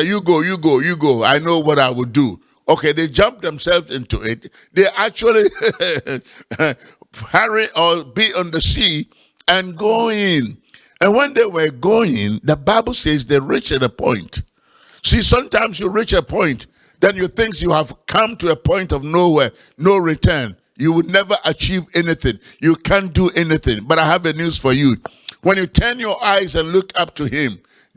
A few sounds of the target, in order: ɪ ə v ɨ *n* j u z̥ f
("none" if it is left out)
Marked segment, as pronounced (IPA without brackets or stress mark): n